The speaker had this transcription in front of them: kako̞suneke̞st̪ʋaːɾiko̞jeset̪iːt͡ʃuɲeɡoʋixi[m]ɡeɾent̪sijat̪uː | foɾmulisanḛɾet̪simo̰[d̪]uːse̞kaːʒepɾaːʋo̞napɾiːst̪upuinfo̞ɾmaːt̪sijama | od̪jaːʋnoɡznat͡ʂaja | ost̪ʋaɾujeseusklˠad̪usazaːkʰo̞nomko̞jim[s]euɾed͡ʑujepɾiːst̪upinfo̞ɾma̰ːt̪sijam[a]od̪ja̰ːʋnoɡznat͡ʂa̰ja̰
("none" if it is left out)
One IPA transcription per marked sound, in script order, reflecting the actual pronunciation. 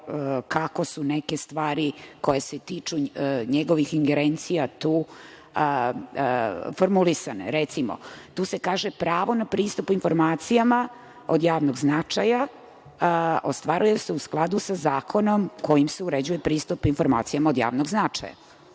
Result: ŋ, t̪, s, a

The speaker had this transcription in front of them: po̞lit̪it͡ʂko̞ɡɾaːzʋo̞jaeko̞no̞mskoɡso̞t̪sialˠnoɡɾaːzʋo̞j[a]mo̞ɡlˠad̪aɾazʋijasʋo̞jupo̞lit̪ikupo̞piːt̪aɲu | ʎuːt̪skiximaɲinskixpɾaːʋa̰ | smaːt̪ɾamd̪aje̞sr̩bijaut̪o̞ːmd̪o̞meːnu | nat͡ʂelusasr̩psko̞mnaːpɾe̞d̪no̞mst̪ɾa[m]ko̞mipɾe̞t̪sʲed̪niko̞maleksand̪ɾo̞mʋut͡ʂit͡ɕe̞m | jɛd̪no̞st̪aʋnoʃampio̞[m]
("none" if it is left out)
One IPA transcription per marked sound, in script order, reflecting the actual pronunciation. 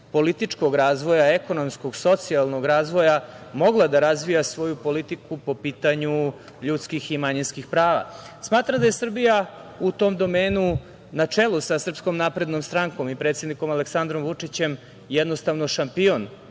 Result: a, ŋ, n

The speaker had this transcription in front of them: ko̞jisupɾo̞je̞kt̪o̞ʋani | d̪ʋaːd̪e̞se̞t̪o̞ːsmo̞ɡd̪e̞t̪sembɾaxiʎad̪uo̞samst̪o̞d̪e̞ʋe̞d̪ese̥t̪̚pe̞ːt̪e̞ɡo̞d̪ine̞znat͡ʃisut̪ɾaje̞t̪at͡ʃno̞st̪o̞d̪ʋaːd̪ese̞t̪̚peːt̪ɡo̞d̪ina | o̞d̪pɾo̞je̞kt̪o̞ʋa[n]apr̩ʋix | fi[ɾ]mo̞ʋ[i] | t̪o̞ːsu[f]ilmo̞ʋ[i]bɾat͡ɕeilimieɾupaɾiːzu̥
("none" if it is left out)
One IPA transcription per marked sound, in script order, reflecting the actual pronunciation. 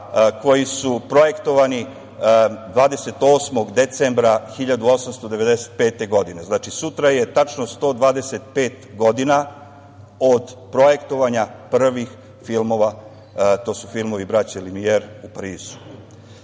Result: ɲ, l, a, f, i

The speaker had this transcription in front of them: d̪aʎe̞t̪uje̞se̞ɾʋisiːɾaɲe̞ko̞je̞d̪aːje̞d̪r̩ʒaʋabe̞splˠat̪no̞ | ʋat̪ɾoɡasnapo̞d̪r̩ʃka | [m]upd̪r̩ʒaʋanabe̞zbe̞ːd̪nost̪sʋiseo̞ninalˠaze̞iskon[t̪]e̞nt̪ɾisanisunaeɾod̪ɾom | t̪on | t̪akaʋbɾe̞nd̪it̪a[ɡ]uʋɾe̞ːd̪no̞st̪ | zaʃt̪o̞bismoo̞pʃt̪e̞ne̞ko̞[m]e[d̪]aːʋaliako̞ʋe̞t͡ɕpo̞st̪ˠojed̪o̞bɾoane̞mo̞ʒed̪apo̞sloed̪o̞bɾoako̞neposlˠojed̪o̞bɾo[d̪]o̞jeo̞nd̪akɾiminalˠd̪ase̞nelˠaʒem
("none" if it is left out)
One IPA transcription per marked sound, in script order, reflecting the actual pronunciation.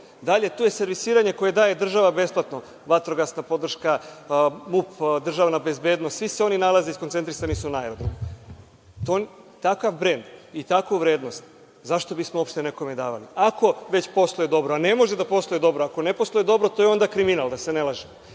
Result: m, t̪, k, m, d̪, t̪

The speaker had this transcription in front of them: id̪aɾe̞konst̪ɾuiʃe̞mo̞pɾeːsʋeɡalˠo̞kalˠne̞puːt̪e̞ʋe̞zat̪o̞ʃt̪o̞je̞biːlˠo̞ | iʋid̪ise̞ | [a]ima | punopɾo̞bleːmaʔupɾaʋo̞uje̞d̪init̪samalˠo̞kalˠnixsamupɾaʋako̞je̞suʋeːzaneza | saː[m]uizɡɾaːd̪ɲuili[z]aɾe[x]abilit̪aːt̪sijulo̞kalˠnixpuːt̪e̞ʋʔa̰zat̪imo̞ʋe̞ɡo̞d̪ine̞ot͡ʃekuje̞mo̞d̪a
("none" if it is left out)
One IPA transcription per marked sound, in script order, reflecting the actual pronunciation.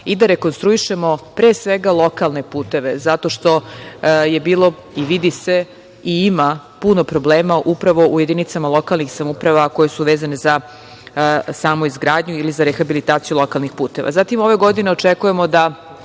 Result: i, m, z, x

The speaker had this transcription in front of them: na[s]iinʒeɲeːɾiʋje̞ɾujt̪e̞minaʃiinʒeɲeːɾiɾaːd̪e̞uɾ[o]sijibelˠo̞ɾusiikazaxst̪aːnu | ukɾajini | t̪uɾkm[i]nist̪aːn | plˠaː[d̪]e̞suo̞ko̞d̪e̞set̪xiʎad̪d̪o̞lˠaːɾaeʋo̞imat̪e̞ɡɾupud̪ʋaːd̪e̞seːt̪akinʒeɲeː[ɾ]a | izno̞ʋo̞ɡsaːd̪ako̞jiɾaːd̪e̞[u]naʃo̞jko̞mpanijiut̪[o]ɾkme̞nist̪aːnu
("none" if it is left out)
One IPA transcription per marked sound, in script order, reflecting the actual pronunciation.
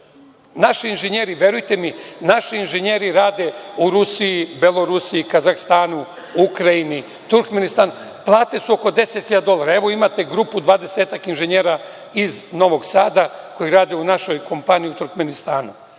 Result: ʃ, u, e, t̪, ɾ, u, u

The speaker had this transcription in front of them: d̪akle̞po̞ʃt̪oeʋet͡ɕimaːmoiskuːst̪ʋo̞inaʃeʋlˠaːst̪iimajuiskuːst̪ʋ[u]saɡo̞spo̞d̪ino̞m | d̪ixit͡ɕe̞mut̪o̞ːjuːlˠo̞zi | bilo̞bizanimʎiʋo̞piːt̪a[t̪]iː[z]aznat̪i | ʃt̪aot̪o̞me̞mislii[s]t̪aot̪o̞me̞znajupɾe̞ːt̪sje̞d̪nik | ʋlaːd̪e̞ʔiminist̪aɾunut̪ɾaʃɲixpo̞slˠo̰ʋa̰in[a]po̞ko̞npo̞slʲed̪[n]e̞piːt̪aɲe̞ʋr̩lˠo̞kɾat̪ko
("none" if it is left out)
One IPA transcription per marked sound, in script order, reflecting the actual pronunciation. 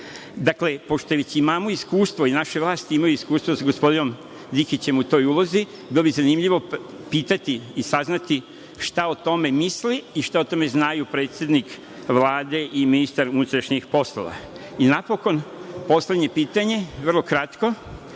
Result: o, t̪, s, ʃ, a, ɲ

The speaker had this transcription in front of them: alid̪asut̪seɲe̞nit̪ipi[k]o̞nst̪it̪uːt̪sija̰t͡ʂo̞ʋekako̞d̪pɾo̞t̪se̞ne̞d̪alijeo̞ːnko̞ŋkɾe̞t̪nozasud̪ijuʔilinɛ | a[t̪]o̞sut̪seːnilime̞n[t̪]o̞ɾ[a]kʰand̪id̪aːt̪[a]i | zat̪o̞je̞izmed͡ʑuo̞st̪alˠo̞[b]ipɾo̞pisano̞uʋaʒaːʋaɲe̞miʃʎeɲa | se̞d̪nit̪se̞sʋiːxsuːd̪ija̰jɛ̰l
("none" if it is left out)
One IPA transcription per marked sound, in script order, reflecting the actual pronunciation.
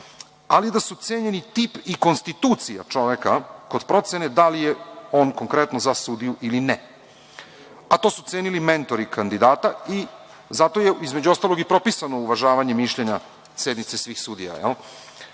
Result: k, t̪, t̪, i, a, ɡ

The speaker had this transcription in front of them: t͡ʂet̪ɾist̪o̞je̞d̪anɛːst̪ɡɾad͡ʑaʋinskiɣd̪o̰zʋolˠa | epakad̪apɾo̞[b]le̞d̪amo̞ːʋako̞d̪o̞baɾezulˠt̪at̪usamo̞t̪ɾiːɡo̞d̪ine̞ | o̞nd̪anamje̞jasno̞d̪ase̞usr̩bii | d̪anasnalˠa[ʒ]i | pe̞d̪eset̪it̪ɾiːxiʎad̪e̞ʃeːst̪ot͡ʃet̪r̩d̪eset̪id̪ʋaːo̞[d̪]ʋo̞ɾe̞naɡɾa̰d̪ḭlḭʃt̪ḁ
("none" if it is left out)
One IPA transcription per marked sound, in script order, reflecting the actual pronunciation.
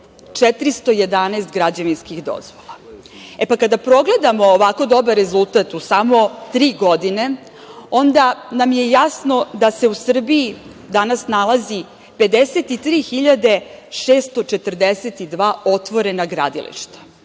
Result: ɡ, z, t̪

